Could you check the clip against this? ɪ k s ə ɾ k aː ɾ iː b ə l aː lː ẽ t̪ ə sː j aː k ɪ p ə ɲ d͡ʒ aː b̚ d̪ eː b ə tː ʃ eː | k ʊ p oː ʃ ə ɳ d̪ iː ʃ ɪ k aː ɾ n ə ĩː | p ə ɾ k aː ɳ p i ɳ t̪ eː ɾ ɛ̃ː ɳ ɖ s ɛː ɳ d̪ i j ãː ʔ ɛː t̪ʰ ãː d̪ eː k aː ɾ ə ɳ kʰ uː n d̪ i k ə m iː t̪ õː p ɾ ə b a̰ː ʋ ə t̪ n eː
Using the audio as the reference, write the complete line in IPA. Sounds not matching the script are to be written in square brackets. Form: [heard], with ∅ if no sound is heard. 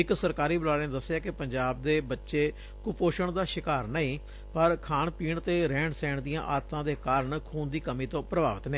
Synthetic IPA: ɪ k s ə ɾ k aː ɾ iː b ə l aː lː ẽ [d̪] ə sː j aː k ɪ p ə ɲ d͡ʒ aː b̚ d̪ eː b ə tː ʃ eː | k ʊ p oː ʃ ə ɳ d̪ [aː] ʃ ɪ k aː ɾ n ə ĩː | p ə ɾ [kʰ] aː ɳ p [iː] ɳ t̪ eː ɾ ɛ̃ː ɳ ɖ s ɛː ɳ d̪ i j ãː ʔ [aː] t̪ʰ ãː d̪ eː k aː ɾ ə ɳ kʰ uː n d̪ [iː] k ə m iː t̪ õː p ɾ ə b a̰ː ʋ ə t̪ n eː